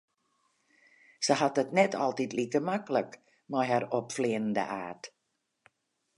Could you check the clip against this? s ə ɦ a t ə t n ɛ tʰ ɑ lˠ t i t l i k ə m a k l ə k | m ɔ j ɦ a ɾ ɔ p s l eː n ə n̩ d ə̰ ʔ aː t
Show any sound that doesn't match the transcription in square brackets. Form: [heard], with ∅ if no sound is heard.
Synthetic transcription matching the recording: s ə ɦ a t ə t n ɛ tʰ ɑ lˠ t i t l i k ə m a k l ə k | m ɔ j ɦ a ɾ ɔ p [f] l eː n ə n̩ d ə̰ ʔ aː t